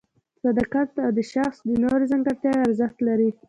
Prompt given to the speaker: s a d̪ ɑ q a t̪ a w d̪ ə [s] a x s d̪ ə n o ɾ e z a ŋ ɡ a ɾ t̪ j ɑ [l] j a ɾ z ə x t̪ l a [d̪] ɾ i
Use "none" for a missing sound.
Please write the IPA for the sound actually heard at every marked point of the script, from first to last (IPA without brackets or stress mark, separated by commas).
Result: ʃ, none, none